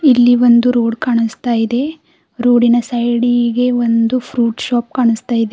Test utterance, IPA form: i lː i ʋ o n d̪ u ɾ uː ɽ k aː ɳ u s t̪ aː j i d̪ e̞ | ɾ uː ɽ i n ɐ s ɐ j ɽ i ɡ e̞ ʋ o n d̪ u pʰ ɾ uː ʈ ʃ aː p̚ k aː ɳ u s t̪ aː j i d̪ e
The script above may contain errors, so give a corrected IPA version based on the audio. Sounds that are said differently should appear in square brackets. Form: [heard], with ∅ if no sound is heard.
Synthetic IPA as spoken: i lː i ʋ o n d̪ u ɾ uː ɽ k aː ɳ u s t̪ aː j i d̪ e̞ | ɾ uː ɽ i n ɐ s ɐ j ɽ i ɡ e̞ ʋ o n d̪ u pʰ ɾ uː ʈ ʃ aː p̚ k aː ɳ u s t̪ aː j i d̪ e